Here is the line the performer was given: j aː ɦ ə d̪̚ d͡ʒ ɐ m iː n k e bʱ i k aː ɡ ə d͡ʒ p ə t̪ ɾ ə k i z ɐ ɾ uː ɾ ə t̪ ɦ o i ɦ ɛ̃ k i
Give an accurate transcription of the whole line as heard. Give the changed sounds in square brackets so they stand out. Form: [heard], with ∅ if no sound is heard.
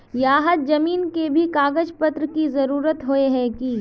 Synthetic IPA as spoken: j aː ɦ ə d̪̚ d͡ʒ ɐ m iː n k e bʱ i k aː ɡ ə d͡ʒ p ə t̪ ɾ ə k i z ɐ ɾ uː ɾ ə t̪ ɦ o [e] ɦ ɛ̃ k i